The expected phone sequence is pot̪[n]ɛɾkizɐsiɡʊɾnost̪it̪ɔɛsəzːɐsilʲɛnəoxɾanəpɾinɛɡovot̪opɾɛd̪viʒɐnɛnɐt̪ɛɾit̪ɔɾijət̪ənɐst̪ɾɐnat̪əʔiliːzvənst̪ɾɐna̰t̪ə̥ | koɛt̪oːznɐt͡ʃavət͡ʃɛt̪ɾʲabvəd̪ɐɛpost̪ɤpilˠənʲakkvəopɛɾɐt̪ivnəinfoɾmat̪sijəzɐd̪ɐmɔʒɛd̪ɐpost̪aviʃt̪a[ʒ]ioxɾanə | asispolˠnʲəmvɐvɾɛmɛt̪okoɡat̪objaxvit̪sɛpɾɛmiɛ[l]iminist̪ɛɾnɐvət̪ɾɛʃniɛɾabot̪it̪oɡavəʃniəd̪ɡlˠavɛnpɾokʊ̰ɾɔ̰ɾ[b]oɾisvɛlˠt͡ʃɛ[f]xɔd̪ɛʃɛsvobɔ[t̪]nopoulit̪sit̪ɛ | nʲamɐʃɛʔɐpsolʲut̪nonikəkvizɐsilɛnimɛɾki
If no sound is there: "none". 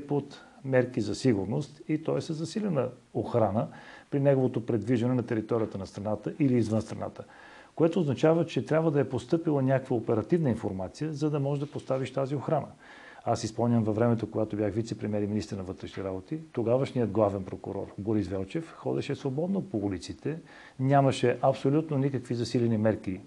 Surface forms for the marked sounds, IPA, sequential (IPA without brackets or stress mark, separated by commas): m, z, ɾ, b, f, d̪